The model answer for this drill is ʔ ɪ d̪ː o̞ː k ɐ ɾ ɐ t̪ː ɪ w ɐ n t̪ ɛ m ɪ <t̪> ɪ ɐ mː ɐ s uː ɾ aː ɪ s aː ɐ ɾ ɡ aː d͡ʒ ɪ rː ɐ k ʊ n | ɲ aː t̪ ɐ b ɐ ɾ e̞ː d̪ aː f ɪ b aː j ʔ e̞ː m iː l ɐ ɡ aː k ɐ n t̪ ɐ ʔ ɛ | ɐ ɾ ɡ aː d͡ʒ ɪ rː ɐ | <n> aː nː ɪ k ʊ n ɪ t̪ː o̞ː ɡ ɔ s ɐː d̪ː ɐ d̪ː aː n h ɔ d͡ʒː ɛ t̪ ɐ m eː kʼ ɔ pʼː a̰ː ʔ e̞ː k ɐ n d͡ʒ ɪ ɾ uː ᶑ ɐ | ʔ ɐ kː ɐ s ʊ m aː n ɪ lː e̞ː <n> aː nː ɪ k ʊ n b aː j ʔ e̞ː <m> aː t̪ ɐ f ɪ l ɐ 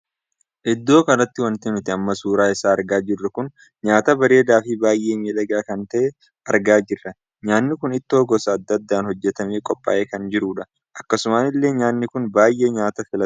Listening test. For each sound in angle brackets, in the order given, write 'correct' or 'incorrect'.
correct, incorrect: ɲ, incorrect: ɲ, incorrect: ɲ

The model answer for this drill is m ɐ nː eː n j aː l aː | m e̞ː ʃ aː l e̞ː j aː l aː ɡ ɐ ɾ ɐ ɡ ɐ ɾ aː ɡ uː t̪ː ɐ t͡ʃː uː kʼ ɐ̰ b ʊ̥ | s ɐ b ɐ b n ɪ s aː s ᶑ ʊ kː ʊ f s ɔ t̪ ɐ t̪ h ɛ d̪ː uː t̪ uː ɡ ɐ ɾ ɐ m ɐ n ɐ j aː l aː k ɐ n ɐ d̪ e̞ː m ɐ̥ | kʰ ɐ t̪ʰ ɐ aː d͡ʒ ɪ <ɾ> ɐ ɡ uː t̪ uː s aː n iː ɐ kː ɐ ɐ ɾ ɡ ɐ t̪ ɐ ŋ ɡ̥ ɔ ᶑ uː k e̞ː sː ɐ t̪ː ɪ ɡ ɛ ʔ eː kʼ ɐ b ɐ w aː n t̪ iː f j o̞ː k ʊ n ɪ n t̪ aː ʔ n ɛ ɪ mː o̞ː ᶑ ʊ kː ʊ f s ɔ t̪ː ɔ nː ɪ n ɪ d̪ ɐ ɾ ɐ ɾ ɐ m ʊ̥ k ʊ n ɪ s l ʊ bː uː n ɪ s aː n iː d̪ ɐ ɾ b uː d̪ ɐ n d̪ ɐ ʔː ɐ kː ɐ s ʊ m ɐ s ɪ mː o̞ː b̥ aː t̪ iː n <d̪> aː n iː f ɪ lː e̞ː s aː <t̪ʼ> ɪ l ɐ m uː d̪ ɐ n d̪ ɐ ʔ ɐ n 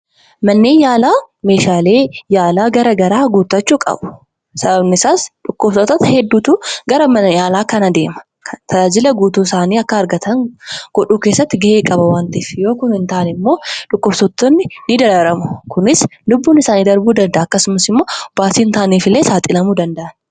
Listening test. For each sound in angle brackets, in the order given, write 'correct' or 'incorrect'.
incorrect: l, incorrect: t̪, correct

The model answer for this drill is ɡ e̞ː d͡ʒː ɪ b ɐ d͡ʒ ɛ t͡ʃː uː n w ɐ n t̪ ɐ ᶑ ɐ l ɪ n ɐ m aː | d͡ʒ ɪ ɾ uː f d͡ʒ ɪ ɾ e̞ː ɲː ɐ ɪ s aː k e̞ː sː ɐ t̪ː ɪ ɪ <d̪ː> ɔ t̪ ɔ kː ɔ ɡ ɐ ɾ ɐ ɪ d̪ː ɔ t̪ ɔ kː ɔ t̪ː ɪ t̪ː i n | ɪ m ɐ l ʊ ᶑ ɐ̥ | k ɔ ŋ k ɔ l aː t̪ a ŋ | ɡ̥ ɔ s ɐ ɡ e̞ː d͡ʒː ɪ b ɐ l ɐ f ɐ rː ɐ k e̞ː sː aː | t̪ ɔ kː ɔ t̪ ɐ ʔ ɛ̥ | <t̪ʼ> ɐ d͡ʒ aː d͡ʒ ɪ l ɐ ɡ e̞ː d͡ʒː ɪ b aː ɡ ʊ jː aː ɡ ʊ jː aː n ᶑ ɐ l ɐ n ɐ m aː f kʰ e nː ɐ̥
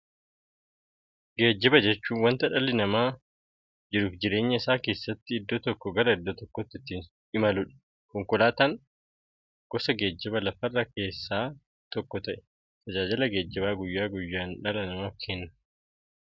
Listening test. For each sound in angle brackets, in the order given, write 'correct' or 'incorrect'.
correct, incorrect: t̪

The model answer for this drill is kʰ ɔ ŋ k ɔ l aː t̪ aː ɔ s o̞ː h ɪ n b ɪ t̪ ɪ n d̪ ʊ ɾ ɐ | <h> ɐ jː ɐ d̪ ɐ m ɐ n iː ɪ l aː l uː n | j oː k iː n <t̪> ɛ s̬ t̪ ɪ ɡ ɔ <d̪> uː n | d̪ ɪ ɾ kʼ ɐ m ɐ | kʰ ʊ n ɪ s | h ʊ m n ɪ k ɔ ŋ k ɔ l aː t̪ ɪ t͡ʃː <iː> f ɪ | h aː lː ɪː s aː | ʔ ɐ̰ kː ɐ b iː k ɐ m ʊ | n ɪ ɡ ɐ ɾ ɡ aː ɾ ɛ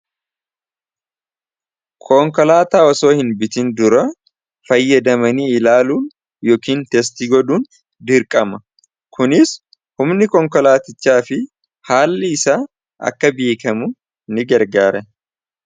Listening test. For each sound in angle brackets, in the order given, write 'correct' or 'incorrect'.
incorrect: f, correct, correct, incorrect: aː

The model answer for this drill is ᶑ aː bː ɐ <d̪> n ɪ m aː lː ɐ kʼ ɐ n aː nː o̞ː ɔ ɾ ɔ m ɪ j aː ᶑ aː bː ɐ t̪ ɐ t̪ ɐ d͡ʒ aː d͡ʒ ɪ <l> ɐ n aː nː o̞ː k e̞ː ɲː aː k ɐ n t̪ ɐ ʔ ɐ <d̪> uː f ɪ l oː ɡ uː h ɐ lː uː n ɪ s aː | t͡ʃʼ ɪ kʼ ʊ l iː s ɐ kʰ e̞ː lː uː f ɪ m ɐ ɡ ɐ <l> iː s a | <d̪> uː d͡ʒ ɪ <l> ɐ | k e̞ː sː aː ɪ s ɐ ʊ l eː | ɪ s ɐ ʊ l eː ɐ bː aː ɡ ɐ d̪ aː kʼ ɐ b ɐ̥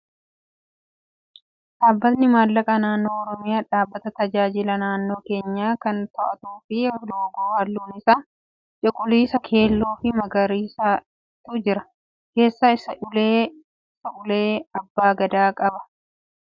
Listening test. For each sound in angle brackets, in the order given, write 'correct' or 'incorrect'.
incorrect: t̪, correct, incorrect: t̪, incorrect: ɾ, incorrect: t̪, incorrect: ɾ

